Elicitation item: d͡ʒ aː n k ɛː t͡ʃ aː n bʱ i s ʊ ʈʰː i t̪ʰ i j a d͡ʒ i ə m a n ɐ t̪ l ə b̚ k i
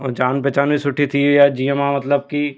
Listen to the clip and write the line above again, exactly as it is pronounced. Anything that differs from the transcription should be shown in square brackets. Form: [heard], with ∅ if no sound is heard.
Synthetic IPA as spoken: d͡ʒ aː n [p] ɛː t͡ʃ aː n bʱ i s ʊ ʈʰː i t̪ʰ i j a d͡ʒ i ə m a [m] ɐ t̪ l ə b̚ k i